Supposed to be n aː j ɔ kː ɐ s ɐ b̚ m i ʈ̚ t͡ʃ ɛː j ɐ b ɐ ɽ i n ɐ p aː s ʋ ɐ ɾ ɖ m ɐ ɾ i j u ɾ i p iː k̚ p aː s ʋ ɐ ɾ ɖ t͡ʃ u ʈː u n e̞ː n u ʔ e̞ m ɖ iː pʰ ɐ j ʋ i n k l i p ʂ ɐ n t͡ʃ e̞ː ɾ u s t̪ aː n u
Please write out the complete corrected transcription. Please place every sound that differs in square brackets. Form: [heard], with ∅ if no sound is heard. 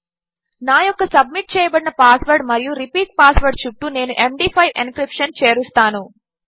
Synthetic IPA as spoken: n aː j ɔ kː ɐ s ɐ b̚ m i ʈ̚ t͡ʃ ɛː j ɐ b ɐ ɽ i n ɐ p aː s ʋ ɐ ɾ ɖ m ɐ ɾ i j u ɾ i p iː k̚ p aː s ʋ ɐ ɾ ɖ t͡ʃ u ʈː u n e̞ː n u ʔ e̞ m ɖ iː pʰ ɐ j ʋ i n k [ɾ] i p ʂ ɐ n t͡ʃ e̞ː ɾ u s t̪ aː n u